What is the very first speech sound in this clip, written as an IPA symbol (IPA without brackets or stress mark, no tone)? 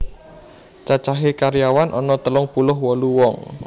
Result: t͡ʃ